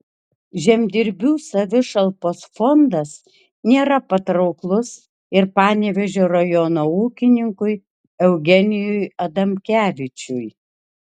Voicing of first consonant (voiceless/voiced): voiced